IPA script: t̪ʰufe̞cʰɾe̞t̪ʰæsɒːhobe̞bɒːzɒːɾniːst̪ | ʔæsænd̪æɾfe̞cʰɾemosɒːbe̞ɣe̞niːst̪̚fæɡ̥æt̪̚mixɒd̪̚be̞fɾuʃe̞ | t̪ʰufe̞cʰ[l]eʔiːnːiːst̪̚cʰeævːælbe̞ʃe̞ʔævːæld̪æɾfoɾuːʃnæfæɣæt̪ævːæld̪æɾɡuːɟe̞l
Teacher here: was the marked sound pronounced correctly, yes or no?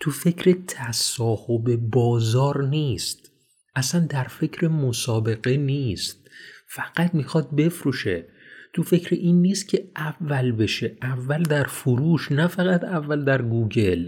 no